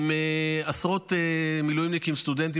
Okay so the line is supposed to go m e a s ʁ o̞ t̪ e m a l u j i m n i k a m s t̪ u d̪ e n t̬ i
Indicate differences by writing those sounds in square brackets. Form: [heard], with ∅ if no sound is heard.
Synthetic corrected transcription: m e a s ʁ o̞ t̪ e m [i] l u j i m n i k [i] m s t̪ u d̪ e n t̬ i